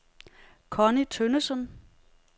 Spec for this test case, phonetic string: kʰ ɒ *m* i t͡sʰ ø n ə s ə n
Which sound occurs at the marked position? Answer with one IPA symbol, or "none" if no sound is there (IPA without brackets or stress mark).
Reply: n